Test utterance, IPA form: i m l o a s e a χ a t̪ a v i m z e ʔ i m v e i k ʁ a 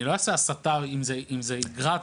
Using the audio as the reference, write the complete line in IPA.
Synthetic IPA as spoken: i l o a s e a s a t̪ a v i m z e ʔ i m z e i ɡ ʁ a